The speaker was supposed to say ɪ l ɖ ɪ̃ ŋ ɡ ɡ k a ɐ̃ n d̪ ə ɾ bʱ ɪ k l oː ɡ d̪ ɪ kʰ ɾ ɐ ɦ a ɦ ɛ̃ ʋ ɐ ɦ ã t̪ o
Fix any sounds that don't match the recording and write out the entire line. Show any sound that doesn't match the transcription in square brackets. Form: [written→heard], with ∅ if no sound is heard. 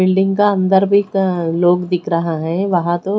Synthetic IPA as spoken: ɪ l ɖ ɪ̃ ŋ [ɡ→ŋ] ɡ k a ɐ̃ n d̪ ə ɾ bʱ [ɪ→i] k l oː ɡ d̪ ɪ kʰ ɾ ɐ ɦ a ɦ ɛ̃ ʋ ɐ ɦ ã t̪ o

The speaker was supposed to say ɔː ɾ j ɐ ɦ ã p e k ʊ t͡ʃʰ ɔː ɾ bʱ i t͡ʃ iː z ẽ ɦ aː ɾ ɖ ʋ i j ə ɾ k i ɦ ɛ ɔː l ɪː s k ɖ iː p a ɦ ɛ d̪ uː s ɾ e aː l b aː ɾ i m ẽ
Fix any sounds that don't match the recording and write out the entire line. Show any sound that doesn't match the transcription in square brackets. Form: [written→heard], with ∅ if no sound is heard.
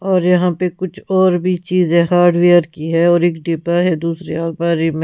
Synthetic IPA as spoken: ɔː ɾ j ɐ ɦ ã p e k ʊ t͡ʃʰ ɔː ɾ bʱ i t͡ʃ iː z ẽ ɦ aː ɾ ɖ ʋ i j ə ɾ k i ɦ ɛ ɔː [l→ɾ] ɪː [s→∅] k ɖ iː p a ɦ ɛ d̪ uː s ɾ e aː l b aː ɾ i m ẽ

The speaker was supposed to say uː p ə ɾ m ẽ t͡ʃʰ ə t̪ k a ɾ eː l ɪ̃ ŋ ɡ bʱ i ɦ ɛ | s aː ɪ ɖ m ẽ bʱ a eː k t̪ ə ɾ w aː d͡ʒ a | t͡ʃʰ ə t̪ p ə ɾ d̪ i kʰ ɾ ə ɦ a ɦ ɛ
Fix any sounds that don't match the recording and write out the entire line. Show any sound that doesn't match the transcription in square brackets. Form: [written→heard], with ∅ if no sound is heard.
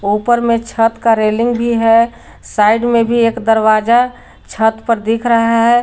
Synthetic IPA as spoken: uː p ə ɾ m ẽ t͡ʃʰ ə t̪ k a ɾ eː l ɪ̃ ŋ ɡ bʱ i ɦ ɛ | s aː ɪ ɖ m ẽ bʱ [a→i] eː k [t̪→d̪] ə ɾ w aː d͡ʒ a | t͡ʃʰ ə t̪ p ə ɾ d̪ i kʰ ɾ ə ɦ a ɦ ɛ

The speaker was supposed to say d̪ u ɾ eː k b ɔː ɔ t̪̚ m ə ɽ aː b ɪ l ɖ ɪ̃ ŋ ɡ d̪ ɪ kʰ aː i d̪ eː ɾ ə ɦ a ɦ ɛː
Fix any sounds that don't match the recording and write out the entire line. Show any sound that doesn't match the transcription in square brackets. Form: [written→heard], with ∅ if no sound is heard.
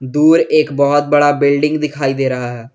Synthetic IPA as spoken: d̪ [u→uː] ɾ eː k b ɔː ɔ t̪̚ [m→b] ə ɽ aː b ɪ l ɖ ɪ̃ ŋ ɡ d̪ ɪ kʰ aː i d̪ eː ɾ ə ɦ a ɦ ɛː

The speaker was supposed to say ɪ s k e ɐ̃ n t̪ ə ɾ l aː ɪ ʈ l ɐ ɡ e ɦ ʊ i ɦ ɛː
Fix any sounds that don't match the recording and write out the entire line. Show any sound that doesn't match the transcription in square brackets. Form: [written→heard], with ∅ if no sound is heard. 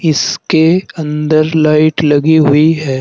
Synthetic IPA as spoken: ɪ s k e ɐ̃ n [t̪→d̪] ə ɾ l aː ɪ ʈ l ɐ ɡ [e→i] ɦ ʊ i ɦ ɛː

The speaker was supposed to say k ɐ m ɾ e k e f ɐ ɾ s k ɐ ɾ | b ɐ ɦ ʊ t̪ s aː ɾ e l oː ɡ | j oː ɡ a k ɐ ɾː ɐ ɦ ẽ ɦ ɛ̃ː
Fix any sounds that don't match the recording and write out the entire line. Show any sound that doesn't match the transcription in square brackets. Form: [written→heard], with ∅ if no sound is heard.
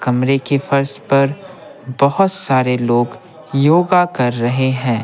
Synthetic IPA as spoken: k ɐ m ɾ e k e f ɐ ɾ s [k→p] ɐ ɾ | b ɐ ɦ ʊ t̪ s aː ɾ e l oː ɡ | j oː ɡ a k ɐ ɾː ɐ ɦ [ẽ→e] ɦ ɛ̃ː

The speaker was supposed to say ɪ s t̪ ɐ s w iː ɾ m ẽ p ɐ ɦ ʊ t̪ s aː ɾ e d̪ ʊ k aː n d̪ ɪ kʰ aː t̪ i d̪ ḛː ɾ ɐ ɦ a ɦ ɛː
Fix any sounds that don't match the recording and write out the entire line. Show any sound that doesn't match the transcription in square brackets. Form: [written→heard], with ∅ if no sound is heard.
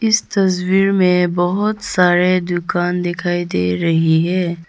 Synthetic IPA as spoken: ɪ s t̪ ɐ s w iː ɾ m ẽ [p→b] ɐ ɦ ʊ t̪ s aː ɾ e d̪ ʊ k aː n d̪ ɪ kʰ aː [t̪→∅] i d̪ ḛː ɾ ɐ ɦ [a→i] ɦ ɛː

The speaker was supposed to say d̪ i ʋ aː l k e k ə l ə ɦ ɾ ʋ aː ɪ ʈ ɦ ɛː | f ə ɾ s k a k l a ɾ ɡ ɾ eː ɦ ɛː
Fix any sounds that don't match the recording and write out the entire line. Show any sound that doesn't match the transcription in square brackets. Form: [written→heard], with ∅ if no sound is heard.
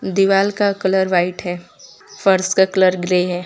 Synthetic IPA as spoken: d̪ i ʋ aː l k [e→a] k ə l ə [ɦ→∅] ɾ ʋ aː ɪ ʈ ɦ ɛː | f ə ɾ s k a k l [a→ə] ɾ ɡ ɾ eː ɦ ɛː

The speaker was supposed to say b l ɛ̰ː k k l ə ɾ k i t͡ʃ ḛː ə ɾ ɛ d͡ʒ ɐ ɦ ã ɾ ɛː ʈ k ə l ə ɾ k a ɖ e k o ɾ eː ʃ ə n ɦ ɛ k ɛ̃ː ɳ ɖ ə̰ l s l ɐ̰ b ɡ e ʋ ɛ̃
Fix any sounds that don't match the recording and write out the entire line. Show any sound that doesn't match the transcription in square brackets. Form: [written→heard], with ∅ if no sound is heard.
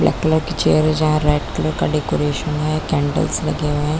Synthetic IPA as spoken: b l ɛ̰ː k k l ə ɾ k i t͡ʃ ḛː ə ɾ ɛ d͡ʒ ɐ ɦ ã ɾ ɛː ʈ k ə l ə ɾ k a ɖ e k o ɾ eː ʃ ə n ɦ ɛ k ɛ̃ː ɳ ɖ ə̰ l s l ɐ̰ [b→∅] ɡ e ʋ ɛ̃

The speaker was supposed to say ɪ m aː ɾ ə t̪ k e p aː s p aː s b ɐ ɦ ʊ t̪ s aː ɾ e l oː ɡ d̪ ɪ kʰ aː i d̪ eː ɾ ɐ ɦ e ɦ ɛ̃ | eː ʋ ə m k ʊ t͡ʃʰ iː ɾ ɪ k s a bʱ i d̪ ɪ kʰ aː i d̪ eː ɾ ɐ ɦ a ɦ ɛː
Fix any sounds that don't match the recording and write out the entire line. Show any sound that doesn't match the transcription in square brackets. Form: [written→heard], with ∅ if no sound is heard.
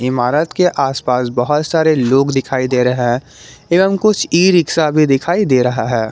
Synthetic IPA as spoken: ɪ m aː ɾ ə t̪ k e [p→ʔ] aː s p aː s b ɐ ɦ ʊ t̪ s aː ɾ e l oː ɡ d̪ ɪ kʰ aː i d̪ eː ɾ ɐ ɦ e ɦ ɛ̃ | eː ʋ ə m k ʊ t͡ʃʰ iː ɾ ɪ k s a bʱ i d̪ ɪ kʰ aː i d̪ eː ɾ ɐ ɦ a ɦ ɛː

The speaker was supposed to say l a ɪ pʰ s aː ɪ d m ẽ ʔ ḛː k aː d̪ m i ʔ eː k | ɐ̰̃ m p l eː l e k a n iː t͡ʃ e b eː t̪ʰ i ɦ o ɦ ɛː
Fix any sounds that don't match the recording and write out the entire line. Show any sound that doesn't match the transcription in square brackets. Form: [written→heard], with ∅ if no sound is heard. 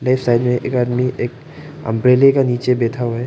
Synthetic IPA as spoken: l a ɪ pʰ s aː ɪ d m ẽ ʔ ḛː k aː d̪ m i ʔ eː k | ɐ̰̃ m p [l→ɾ] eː l e k a n iː t͡ʃ e b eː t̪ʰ [i→a] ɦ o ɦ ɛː

